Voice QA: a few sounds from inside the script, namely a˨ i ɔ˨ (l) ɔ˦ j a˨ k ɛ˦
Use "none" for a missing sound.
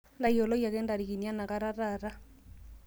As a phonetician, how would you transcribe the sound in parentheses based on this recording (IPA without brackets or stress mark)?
l